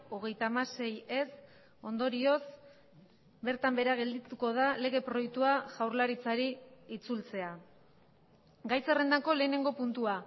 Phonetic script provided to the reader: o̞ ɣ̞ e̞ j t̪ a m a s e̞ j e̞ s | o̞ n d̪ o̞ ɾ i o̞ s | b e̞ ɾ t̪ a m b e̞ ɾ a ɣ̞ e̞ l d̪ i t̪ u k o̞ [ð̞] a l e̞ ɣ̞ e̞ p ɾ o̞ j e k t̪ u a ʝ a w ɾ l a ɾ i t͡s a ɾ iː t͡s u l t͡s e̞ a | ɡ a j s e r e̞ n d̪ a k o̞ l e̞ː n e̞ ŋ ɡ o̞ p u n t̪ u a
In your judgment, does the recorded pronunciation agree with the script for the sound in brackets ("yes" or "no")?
yes